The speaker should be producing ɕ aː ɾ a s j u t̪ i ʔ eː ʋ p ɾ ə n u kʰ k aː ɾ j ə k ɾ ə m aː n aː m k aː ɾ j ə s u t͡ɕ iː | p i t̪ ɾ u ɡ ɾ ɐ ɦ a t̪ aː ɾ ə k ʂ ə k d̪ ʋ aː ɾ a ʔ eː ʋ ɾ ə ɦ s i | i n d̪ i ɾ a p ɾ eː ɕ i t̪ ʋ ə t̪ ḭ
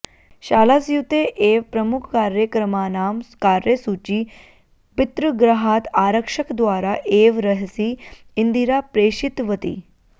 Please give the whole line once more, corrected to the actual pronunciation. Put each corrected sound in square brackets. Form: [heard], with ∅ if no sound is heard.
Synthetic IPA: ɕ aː [l] a s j u t̪ [e] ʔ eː ʋ p ɾ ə [m] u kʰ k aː ɾ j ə k ɾ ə m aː n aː m k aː ɾ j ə s u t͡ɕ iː | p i t̪ ɾ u ɡ ɾ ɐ ɦ a t̪ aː ɾ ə k ʂ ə k d̪ ʋ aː ɾ a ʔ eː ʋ ɾ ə ɦ s i | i n d̪ i ɾ a p ɾ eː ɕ i t̪ ʋ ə t̪ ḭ

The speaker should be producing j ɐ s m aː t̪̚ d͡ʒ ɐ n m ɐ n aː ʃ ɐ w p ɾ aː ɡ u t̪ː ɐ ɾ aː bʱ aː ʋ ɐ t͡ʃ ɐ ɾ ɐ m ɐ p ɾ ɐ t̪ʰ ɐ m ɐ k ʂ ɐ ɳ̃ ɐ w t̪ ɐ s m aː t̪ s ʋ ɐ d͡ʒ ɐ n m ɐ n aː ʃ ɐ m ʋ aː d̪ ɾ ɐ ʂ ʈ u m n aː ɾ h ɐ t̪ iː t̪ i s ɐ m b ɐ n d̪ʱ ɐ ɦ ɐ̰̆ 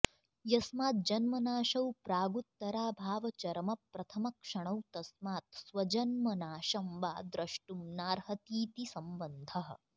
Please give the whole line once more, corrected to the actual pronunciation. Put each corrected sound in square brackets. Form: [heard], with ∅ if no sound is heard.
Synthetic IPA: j ɐ s m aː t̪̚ d͡ʒ ɐ n m ɐ n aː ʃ ɐ w p ɾ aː ɡ u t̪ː ɐ ɾ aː bʱ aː ʋ ɐ t͡ʃ ɐ ɾ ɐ m ɐ p ɾ ɐ t̪ʰ ɐ m ɐ k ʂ ɐ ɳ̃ ɐ w t̪ ɐ s m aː t̪ s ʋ ɐ d͡ʒ ɐ n m ɐ n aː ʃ ɐ m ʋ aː d̪ ɾ ɐ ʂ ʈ u m n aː ɾ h ɐ t̪ iː t̪ i s ɐ m b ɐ n d̪ʱ ɐ ɦ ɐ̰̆

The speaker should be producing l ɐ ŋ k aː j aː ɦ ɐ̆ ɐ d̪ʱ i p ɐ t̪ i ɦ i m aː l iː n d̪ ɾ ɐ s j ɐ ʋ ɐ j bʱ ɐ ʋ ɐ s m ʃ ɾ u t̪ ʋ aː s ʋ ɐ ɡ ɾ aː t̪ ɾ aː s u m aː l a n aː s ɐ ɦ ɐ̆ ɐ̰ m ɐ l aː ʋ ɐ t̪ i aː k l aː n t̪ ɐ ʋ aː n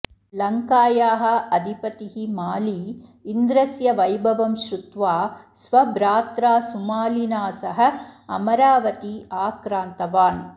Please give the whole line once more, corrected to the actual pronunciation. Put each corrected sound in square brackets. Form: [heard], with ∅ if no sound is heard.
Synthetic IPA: l ɐ ŋ k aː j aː ɦ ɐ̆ ɐ d̪ʱ i p ɐ t̪ i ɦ i m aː l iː n d̪ ɾ ɐ s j ɐ ʋ ɐ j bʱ ɐ ʋ ɐ [∅] m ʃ ɾ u t̪ ʋ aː s ʋ ɐ [b] ɾ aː t̪ ɾ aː s u m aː l [i] n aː s ɐ ɦ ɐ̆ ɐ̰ m ɐ [ɾ] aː ʋ ɐ t̪ i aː k [ɾ] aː n t̪ ɐ ʋ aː n

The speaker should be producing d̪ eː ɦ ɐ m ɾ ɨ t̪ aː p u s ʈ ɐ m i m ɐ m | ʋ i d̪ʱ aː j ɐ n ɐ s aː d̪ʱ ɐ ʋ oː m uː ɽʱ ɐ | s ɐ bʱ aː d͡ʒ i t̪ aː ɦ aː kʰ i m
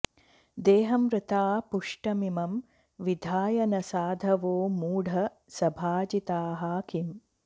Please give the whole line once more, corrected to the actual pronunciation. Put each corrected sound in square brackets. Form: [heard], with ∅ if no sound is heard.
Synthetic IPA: d̪ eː ɦ ɐ m ɾ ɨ t̪ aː p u [ʂ] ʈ ɐ m i m ɐ m | ʋ i d̪ʱ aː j ɐ n ɐ s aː d̪ʱ ɐ ʋ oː m uː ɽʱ ɐ | s ɐ bʱ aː d͡ʒ i t̪ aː ɦ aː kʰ i m

